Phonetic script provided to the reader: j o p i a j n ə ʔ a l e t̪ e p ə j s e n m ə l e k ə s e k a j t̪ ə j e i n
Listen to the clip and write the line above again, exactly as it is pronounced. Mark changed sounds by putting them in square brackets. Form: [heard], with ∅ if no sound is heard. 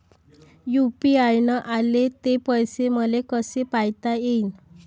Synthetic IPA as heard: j [u] p i a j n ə ʔ a l e t̪ e p ə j s e [∅] m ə l e k ə s e [p] a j t̪ [a] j e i n